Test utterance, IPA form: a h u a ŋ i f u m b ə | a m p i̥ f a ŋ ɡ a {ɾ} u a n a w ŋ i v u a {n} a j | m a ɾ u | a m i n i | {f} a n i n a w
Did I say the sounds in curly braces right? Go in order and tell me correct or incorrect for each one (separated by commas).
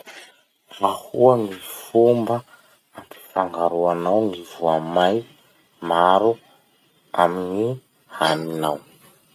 correct, incorrect, incorrect